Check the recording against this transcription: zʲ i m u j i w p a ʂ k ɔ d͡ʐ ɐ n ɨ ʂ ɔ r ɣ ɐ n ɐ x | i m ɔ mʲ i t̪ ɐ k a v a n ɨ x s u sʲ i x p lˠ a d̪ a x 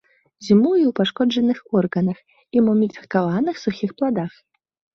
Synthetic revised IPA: zʲ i m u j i w p a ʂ k ɔ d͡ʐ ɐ n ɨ x ɔ r ɣ ɐ n ɐ x | i m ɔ mʲ i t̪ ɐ k a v a n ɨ x s u xʲ i x p lˠ a d̪ a x